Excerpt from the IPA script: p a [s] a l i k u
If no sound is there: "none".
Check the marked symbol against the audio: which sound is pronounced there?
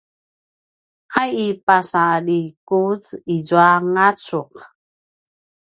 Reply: s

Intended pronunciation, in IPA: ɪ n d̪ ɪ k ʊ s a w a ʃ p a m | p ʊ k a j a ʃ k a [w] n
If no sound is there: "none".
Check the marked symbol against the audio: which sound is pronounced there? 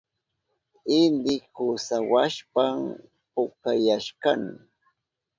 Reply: none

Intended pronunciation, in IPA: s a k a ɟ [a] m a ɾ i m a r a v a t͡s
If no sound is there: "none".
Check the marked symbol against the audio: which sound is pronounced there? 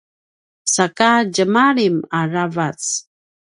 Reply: ə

